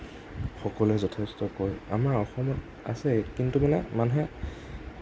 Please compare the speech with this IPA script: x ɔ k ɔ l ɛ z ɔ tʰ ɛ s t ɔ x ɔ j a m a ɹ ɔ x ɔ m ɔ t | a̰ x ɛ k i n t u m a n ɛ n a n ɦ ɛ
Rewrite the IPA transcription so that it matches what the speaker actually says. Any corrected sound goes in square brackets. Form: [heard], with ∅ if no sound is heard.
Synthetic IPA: x ɔ k ɔ l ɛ z ɔ tʰ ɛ s t ɔ [k] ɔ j a m a ɹ ɔ x ɔ m ɔ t | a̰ [s] ɛ k i n t u m a n ɛ [m] a n ɦ ɛ